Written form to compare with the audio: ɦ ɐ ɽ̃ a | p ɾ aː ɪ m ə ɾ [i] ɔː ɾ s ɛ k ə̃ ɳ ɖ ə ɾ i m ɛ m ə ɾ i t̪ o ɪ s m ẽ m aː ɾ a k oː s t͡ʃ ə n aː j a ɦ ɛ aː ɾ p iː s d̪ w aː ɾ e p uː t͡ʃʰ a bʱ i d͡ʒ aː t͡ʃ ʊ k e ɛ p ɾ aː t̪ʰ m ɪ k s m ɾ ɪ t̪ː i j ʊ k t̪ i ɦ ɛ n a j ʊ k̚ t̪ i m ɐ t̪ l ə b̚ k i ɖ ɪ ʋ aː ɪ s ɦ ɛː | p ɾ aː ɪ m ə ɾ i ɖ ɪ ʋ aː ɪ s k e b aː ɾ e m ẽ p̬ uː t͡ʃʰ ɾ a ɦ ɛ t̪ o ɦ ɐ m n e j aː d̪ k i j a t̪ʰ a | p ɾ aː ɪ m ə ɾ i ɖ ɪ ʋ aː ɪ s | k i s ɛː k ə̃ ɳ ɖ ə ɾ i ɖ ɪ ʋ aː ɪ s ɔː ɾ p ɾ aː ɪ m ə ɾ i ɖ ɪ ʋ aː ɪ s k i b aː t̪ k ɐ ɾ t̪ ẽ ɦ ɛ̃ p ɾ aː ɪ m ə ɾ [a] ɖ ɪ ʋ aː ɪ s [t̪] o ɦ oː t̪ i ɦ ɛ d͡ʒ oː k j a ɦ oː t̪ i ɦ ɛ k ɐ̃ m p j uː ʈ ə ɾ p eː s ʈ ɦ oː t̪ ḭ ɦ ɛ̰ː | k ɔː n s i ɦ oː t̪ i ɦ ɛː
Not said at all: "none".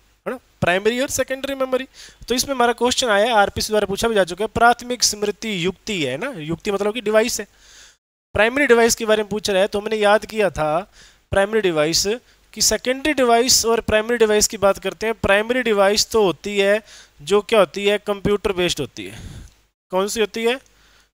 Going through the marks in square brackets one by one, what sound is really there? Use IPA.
i, i, t̪

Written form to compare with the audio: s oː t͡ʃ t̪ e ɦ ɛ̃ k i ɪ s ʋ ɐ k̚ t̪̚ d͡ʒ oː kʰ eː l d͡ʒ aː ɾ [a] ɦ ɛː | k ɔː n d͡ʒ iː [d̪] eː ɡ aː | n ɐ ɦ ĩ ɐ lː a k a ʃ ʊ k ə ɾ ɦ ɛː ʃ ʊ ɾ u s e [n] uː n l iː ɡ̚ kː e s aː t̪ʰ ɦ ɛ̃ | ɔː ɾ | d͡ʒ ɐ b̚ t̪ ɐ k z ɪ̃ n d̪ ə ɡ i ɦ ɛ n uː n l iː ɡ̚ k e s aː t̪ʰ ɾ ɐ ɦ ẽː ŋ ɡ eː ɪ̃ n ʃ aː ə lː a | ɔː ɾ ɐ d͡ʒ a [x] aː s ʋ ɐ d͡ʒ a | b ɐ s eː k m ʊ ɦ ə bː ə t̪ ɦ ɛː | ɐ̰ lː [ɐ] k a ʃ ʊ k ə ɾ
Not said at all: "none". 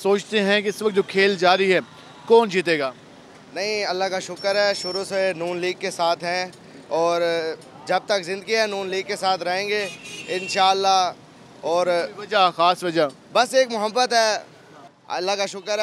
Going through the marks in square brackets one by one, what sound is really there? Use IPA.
i, t̪, n, x, a

